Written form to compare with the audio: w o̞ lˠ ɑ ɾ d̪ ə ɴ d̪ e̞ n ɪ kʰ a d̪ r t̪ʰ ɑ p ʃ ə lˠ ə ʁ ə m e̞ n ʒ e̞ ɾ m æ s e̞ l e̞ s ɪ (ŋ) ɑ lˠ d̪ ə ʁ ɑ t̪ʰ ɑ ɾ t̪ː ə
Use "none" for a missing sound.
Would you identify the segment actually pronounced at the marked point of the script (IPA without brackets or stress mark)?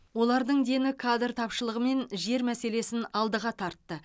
n